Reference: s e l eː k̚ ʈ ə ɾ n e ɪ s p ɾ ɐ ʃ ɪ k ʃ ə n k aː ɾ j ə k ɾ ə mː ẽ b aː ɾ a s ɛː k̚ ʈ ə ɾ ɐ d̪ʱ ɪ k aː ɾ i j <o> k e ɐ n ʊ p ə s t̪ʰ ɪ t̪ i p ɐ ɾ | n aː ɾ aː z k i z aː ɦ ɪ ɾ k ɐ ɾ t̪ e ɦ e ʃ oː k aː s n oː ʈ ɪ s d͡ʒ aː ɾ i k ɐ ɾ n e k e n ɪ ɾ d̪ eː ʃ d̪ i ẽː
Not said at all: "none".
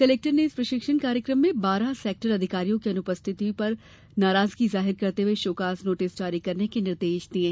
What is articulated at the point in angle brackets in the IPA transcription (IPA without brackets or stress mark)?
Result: õ